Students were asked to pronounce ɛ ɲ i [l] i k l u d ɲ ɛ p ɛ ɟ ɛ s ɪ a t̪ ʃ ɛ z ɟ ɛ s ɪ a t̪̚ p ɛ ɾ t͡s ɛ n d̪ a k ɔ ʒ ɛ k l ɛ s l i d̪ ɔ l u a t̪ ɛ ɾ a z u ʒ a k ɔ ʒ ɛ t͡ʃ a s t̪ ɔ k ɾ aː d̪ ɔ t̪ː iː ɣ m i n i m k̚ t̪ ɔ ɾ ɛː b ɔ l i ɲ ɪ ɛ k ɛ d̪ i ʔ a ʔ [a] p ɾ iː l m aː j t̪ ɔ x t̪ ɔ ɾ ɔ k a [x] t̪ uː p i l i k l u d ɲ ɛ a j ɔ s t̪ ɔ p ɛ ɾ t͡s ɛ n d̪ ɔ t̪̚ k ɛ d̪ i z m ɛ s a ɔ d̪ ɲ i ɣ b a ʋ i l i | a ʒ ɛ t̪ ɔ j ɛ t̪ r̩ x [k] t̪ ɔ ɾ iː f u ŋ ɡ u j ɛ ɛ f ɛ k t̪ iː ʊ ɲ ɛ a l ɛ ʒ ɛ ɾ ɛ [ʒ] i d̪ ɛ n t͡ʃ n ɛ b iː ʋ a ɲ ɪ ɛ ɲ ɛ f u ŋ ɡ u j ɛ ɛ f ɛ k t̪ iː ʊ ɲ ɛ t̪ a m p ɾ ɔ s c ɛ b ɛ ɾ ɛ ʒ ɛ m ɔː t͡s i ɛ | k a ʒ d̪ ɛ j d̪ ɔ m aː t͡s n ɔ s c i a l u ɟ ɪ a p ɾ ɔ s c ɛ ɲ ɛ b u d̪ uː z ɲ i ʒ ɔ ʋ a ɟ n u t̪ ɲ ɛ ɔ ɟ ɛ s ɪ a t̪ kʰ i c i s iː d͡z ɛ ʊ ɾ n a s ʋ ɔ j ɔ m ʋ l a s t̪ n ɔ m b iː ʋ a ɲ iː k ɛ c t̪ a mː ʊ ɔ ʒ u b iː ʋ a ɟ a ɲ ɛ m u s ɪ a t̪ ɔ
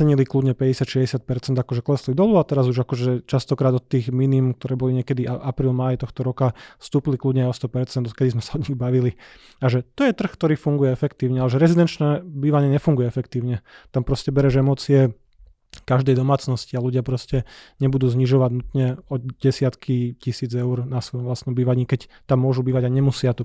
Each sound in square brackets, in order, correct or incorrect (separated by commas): correct, correct, incorrect, correct, incorrect